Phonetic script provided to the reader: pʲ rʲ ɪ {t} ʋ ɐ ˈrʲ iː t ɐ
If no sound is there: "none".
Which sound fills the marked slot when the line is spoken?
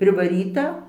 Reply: none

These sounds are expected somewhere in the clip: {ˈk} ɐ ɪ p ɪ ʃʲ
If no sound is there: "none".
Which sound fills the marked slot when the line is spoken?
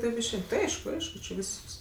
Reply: t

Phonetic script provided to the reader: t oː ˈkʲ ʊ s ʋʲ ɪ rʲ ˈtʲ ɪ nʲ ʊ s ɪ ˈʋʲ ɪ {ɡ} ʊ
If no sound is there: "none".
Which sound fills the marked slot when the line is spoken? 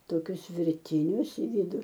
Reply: d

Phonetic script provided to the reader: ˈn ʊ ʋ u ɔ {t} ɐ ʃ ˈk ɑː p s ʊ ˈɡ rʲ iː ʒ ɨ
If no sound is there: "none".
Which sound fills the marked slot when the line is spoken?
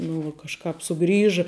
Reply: k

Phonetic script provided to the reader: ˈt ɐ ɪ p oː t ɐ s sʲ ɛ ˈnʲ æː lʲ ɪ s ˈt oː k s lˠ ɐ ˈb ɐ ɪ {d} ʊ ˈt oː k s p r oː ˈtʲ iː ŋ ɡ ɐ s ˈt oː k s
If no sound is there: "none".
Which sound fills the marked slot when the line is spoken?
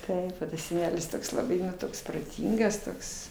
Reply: n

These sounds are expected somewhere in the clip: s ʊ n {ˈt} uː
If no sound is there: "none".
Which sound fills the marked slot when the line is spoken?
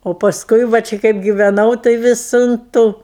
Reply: t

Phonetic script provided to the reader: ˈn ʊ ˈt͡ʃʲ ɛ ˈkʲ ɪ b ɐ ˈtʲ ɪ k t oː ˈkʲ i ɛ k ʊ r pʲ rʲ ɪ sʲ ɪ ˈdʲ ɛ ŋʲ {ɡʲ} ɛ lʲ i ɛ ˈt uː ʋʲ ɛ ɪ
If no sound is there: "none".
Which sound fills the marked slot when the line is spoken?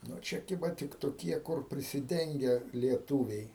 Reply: ɡʲ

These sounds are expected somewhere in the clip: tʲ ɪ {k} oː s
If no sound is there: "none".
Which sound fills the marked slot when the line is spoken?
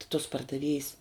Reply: t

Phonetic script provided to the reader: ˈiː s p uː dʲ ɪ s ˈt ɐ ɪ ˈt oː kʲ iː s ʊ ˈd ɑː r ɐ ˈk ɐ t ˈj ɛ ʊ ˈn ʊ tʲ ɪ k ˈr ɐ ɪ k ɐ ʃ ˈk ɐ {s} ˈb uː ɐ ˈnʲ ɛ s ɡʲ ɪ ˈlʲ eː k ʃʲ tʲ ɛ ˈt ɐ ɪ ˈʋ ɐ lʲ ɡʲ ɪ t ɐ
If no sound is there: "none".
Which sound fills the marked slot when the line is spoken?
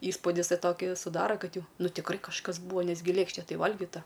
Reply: s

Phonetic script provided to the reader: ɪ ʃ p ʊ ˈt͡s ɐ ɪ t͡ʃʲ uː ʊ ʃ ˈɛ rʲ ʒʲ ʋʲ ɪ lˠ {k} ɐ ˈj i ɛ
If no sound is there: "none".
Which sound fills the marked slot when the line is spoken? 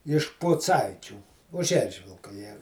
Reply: k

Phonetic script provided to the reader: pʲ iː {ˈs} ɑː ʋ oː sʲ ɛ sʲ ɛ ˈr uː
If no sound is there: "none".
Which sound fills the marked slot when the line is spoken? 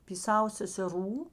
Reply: s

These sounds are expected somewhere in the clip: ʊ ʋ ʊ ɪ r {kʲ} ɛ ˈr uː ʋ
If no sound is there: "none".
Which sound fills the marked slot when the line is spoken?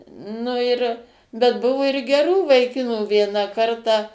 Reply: ɡʲ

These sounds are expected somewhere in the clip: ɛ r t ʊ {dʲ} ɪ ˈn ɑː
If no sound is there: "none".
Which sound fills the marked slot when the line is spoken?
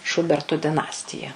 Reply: dʲ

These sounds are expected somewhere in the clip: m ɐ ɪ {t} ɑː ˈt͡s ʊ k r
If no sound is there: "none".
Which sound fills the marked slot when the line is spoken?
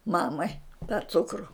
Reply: t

